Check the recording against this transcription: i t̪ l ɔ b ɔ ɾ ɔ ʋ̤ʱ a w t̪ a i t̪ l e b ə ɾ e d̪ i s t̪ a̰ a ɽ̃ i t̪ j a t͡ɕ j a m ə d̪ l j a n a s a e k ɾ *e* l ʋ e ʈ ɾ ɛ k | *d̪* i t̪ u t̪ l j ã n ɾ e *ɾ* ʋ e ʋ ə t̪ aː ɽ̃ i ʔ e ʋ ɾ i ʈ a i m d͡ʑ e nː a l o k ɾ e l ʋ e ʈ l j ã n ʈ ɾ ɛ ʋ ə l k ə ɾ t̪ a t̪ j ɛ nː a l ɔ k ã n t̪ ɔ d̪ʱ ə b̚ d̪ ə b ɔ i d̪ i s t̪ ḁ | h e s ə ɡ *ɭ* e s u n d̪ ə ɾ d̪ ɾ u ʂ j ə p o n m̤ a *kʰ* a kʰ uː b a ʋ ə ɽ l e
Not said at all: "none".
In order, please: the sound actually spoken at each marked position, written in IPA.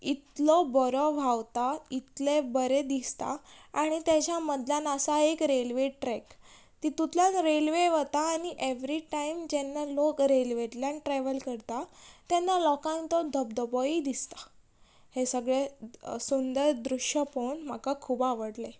e, t̪, l, ɭ, k

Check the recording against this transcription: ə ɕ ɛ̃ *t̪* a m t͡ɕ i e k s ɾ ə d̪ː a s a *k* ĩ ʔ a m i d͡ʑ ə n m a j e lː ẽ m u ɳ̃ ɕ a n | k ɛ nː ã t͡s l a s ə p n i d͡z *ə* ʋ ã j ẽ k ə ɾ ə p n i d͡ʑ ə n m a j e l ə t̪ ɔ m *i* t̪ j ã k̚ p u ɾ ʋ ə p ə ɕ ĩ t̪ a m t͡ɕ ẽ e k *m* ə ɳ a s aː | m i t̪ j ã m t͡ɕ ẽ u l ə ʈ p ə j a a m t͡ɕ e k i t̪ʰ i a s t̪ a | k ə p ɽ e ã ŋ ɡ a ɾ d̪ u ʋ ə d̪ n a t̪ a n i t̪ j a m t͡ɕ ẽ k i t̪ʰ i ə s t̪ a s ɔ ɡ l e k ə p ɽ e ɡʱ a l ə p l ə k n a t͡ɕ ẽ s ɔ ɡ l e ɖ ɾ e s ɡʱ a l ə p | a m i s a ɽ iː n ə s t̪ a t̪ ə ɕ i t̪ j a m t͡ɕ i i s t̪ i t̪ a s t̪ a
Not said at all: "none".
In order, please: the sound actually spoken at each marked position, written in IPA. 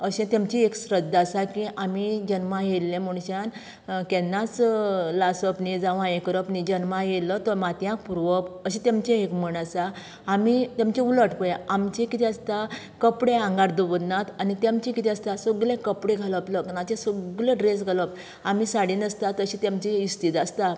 t̪, k, a, a, m

